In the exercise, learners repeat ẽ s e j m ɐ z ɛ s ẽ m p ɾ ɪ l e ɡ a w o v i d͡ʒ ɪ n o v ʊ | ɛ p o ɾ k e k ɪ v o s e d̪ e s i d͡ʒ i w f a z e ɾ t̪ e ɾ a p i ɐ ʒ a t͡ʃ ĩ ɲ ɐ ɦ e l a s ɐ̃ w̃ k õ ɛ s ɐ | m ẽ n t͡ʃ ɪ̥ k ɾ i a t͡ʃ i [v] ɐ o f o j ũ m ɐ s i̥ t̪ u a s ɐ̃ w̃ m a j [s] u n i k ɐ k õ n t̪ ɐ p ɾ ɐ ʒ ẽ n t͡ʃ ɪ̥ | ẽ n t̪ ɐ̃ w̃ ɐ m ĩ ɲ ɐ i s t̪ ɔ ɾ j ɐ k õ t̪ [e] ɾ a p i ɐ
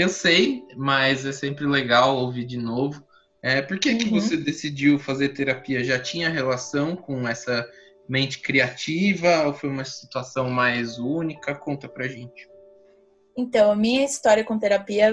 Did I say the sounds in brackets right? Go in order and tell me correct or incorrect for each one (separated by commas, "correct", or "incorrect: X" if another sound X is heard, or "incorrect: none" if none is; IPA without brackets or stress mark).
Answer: correct, incorrect: z, correct